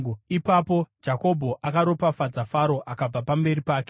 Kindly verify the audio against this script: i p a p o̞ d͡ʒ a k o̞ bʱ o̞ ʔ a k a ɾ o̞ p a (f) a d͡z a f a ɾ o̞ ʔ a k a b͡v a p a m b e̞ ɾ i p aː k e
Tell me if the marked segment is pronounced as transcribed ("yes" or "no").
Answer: yes